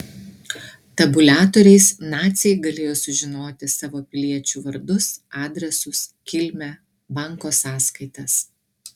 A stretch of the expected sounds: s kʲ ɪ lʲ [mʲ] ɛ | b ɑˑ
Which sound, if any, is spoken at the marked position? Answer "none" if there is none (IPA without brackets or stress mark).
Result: mʲ